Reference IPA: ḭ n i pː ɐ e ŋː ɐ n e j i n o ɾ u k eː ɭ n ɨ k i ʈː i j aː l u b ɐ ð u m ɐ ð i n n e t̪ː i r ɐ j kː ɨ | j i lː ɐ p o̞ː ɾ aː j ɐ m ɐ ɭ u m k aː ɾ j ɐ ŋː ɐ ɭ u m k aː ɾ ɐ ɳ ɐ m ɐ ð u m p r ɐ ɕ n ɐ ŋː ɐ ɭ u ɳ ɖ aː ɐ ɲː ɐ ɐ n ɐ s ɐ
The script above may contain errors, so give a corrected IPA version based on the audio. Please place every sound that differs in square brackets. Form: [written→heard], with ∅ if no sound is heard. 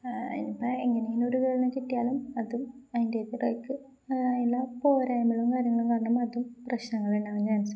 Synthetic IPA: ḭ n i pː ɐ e ŋː ɐ n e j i n o ɾ u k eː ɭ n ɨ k i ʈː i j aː l u [b→m] ɐ ð u m ɐ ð i n [n→d] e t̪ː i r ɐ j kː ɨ | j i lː ɐ p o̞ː ɾ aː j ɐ m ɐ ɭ u m k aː ɾ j ɐ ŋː ɐ ɭ u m k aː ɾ ɐ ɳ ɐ m ɐ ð u m p r ɐ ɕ n ɐ ŋː ɐ ɭ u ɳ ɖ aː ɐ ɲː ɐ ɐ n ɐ s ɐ